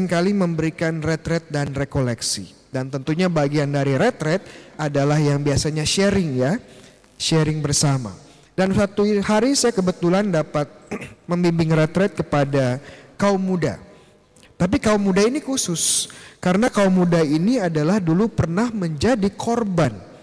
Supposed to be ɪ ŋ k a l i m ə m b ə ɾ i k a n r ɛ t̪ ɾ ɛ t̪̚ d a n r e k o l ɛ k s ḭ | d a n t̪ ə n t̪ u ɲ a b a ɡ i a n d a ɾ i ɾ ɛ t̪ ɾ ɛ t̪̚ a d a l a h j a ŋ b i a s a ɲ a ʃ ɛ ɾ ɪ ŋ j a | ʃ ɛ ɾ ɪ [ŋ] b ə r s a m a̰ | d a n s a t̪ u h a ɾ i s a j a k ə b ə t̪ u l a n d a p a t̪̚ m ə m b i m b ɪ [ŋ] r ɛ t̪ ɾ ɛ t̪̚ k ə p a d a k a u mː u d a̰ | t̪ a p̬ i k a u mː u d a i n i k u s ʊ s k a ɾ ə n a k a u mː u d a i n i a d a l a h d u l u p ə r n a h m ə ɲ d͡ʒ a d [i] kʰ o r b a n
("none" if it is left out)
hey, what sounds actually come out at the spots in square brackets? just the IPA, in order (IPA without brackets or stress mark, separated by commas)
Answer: ŋ, ŋ, i